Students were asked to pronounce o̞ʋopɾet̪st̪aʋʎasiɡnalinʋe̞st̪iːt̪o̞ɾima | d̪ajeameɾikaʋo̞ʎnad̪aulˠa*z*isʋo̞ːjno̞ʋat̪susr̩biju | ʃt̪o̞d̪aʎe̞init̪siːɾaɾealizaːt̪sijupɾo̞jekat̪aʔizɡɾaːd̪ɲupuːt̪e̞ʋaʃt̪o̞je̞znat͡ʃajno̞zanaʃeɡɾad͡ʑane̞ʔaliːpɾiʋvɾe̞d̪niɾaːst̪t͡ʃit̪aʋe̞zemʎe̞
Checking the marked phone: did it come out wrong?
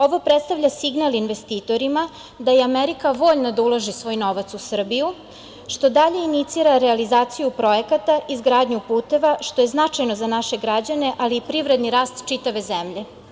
yes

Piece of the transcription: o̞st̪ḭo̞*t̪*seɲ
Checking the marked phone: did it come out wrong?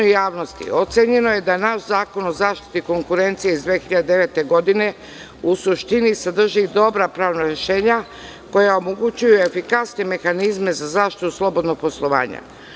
no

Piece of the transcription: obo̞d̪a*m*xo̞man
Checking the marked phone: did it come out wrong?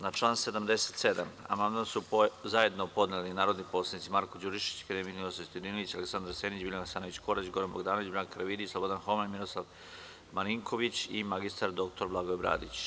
yes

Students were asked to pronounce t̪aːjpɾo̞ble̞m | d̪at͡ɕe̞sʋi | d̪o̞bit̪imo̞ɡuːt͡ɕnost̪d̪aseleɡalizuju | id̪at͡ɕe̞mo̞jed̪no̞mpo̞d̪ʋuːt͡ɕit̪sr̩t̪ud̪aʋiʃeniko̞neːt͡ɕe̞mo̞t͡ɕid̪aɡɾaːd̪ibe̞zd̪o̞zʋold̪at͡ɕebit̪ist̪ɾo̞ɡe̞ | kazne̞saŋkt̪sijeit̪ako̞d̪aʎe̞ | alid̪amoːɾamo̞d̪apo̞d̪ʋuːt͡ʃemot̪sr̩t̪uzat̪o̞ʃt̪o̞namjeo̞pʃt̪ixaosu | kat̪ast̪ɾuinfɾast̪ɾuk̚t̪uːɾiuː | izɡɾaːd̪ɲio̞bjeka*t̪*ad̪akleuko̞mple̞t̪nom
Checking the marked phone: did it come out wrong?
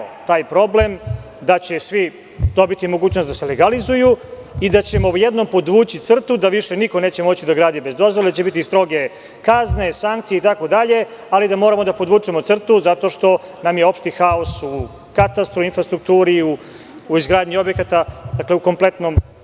no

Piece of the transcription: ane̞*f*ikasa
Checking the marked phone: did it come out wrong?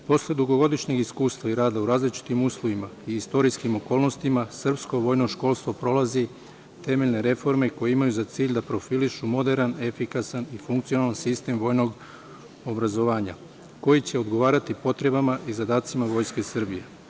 no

